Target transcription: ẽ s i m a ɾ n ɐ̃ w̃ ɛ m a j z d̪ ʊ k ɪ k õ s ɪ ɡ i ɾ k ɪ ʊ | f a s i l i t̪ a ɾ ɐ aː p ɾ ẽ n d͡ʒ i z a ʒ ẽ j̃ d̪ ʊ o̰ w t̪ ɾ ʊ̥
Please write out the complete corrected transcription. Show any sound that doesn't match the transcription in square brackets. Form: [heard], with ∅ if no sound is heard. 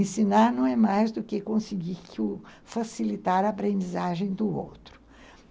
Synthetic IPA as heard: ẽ s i [n] a ɾ n ɐ̃ w̃ ɛ m a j z d̪ ʊ k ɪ k õ s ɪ ɡ i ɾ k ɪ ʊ | f a s i l i t̪ a ɾ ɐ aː p ɾ ẽ n d͡ʒ i z a ʒ ẽ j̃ d̪ ʊ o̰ w t̪ ɾ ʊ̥